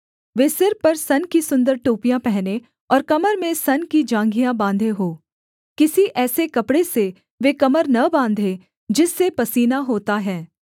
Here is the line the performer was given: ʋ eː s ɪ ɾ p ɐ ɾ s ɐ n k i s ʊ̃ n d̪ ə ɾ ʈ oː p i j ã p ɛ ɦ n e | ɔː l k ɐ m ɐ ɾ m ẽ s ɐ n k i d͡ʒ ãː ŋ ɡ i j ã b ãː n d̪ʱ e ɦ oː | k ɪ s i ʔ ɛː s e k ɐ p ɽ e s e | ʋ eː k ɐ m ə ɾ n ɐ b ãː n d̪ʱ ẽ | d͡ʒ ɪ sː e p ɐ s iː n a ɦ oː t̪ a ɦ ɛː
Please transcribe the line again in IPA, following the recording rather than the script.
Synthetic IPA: ʋ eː s ɪ ɾ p ɐ ɾ s ɐ n k i s ʊ̃ n d̪ ə ɾ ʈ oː p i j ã p ɛ ɦ n e | ɔː ɾ k ɐ m ə ɾ m ẽ s ɐ n k i d͡ʒ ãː ŋ ɡ i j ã b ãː n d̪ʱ e ɦ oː | k ɪ s i ʔ ɛː s e k ɐ p ɽ e s e | ʋ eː k ɐ m ə ɾ n ɐ b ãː n d̪ʱ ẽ | d͡ʒ ɪ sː e p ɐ s iː n a ɦ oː t̪ a ɦ ɛː